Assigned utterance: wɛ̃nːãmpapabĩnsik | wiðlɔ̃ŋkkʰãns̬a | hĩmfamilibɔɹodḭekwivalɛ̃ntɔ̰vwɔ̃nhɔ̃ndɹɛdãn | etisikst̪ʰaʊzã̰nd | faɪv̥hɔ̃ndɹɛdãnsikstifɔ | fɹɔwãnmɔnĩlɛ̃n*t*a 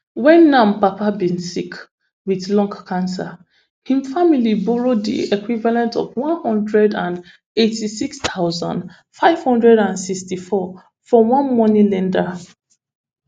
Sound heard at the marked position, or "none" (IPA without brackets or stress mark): d